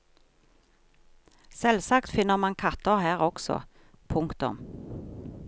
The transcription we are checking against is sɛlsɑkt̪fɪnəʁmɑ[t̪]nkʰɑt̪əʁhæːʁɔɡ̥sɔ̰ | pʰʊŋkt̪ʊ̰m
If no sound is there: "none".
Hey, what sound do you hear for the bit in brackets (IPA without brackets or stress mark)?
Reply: none